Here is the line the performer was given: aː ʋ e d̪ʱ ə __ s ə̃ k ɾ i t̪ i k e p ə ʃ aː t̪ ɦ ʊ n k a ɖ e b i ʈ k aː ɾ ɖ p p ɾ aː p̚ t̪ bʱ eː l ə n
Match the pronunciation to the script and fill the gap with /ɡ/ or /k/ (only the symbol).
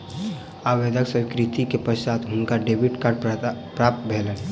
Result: k